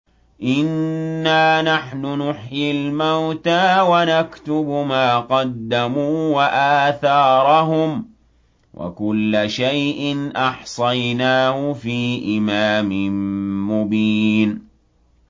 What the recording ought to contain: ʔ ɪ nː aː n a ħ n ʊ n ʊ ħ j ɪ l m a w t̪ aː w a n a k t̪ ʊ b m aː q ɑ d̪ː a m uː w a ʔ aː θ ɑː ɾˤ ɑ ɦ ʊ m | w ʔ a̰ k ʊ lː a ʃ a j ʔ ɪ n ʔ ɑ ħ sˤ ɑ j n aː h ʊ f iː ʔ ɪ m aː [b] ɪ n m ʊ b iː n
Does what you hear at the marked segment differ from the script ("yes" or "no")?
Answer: yes